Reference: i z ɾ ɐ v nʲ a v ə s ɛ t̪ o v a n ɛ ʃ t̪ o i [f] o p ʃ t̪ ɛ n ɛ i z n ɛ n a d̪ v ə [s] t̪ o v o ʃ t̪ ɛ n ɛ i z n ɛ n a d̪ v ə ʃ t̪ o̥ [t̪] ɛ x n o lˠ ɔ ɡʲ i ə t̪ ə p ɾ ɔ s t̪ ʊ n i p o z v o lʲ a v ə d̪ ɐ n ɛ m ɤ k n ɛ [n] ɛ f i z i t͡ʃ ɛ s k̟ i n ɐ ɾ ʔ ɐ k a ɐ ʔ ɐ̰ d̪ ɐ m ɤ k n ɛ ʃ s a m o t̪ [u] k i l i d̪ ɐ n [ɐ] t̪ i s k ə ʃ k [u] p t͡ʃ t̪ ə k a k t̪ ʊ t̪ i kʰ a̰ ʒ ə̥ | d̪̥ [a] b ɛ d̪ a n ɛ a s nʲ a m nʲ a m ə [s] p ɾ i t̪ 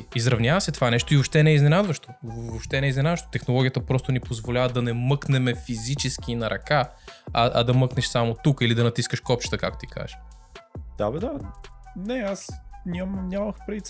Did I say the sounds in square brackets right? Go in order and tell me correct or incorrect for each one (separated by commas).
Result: incorrect, incorrect, correct, incorrect, correct, correct, incorrect, correct, incorrect